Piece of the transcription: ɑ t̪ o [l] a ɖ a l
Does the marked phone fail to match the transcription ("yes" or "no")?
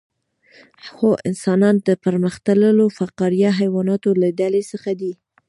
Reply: no